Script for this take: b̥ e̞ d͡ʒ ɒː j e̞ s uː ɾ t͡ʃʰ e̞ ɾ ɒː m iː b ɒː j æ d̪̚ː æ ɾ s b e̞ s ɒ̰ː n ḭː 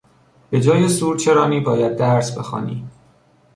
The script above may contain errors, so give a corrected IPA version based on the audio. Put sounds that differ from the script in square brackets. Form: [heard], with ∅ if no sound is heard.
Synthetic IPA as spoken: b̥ e̞ d͡ʒ ɒː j e̞ s uː ɾ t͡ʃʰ e̞ ɾ ɒː [n] iː b ɒː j æ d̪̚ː æ ɾ s b e̞ [x] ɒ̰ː n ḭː